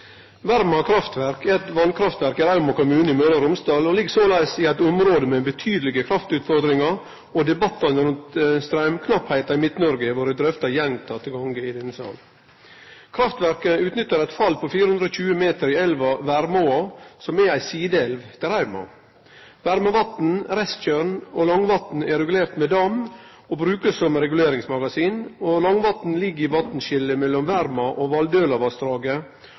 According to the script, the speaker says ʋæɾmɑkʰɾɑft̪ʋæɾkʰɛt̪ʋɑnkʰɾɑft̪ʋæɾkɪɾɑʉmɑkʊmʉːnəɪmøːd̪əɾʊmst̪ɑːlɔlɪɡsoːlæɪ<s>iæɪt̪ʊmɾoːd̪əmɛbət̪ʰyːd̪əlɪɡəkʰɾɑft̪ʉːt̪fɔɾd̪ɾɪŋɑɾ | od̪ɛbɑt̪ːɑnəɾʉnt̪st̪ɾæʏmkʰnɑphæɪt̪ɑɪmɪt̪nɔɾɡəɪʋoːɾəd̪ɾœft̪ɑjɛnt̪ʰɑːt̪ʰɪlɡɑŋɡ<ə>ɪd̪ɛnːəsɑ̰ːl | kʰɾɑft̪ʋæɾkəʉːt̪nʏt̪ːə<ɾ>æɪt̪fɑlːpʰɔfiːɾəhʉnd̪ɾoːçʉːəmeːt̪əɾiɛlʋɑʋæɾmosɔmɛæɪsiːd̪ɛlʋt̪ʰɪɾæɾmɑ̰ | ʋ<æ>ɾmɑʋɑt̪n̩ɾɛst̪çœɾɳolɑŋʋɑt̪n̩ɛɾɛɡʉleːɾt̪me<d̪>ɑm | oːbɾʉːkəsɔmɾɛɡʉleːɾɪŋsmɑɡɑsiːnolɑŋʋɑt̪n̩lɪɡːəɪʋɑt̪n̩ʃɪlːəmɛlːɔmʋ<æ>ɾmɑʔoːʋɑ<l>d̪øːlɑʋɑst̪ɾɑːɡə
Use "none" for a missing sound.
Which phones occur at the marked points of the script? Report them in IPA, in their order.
s, ə, ɾ, æ, d̪, æ, l

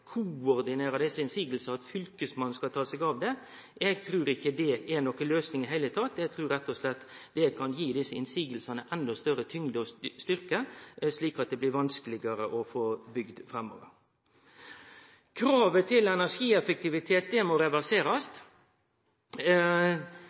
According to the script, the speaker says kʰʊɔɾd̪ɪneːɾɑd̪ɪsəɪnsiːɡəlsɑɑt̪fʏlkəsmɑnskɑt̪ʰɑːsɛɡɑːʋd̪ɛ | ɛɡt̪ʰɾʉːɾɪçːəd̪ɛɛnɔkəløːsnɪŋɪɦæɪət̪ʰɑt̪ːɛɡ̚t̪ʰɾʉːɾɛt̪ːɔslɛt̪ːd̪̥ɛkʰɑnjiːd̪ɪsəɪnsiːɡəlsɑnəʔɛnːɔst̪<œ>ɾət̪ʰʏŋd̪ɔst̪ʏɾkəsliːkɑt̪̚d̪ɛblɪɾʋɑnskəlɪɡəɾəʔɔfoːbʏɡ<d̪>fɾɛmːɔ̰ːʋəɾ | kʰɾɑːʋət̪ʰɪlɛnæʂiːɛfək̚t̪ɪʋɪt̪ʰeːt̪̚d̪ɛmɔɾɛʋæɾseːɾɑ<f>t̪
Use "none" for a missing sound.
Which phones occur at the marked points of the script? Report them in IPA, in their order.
œ, d̪, s

